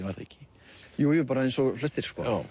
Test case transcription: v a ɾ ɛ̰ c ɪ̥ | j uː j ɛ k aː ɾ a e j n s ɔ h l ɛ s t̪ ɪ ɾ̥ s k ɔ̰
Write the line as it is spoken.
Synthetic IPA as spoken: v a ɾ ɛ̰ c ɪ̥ | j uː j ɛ p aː ɾ a e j n s ɔ f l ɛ s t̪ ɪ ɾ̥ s k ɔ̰